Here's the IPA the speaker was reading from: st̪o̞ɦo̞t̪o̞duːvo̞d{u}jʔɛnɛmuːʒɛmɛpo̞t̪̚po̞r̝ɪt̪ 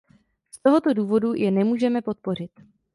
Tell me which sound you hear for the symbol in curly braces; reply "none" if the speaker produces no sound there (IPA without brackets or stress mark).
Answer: u